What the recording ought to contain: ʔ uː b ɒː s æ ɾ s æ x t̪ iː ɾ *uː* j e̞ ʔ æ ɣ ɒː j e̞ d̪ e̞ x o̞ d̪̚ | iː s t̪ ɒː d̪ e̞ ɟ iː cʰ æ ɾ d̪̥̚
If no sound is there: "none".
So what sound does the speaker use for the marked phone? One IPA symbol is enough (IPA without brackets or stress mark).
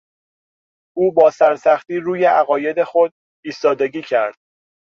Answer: uː